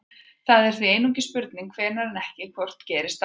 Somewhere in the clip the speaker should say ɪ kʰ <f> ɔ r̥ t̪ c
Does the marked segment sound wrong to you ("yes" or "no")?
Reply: yes